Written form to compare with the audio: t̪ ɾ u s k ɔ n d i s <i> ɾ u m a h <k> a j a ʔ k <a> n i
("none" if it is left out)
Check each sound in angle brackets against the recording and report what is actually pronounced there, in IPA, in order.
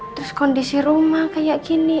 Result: i, k, i

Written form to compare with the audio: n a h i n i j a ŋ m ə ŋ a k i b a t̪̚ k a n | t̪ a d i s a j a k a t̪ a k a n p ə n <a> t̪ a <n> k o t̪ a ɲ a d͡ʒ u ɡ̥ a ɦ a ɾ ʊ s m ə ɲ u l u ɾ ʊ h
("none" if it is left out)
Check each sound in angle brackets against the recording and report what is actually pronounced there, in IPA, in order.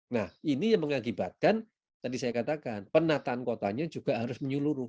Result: a, n

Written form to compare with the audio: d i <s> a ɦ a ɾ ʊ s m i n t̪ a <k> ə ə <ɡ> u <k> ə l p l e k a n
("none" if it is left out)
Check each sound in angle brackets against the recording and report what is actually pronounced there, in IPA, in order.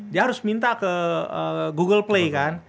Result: none, k, ɡ, ɡ

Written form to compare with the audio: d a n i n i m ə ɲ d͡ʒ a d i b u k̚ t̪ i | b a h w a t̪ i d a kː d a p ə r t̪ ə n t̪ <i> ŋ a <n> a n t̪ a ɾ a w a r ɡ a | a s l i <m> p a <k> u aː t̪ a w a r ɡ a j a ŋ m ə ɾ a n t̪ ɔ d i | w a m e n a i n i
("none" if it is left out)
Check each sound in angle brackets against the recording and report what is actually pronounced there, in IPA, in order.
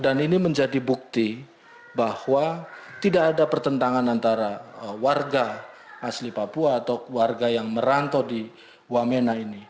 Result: a, n, none, p

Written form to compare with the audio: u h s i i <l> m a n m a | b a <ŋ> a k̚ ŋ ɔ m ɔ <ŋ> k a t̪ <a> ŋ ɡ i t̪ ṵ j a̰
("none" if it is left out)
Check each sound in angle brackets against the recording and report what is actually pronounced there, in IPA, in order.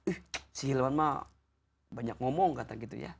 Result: l, ɲ, ŋ, a

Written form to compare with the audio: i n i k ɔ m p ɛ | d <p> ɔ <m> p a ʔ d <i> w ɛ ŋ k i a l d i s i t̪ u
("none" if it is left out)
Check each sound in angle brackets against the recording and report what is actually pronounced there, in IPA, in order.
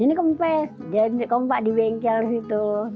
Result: k, m, i

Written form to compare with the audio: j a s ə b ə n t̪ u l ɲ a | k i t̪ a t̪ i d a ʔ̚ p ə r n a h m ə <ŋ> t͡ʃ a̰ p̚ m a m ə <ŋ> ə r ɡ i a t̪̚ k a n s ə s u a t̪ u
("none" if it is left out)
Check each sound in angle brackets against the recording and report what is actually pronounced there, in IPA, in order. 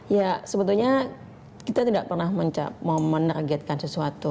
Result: ɲ, n

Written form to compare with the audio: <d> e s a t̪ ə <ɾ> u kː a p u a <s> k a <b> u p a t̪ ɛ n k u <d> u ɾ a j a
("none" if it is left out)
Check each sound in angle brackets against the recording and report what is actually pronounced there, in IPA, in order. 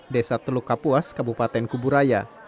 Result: d, l, s, b, b

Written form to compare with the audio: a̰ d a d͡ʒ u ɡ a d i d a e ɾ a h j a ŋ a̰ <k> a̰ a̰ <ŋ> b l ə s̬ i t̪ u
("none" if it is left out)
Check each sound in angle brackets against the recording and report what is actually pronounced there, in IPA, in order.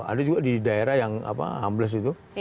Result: p, m

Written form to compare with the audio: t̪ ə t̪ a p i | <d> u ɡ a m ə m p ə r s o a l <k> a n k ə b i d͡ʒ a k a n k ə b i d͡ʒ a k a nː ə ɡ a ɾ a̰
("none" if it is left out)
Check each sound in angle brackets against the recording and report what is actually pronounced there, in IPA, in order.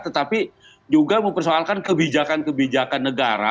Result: d͡ʒ, k

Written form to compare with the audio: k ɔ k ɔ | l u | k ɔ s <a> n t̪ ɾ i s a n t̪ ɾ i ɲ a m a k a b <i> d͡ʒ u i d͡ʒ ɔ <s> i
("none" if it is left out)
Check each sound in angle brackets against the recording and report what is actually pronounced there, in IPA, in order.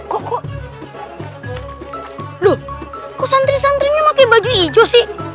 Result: a, a, s

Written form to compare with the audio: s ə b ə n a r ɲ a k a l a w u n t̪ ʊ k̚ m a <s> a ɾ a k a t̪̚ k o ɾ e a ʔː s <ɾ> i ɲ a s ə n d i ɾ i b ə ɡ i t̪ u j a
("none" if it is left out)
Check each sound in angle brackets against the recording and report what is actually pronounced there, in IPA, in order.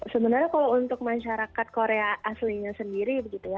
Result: ʃ, l

